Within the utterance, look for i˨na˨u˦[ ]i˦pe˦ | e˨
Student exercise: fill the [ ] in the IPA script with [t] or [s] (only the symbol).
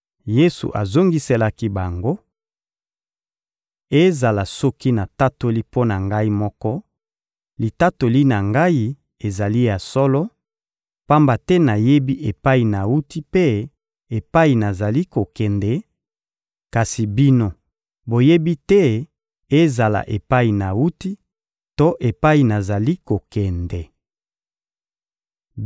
t